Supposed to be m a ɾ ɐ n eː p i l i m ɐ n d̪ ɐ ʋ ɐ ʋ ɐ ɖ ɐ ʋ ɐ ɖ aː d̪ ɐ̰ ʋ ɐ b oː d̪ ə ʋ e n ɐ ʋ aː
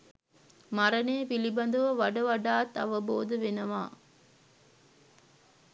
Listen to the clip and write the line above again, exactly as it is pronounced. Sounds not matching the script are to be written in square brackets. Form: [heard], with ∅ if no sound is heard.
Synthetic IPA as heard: m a ɾ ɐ n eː p i l i [b] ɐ n d̪ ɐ ʋ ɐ ʋ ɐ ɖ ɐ ʋ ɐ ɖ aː [t̪] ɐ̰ ʋ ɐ b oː d̪ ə ʋ e n ɐ ʋ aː